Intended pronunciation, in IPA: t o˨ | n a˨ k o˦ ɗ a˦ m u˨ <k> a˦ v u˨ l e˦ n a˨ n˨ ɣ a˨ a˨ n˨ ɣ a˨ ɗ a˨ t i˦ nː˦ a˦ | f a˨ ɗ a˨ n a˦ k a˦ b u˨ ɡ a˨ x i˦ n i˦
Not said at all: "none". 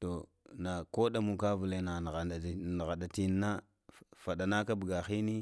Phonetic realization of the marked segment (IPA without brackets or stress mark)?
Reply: k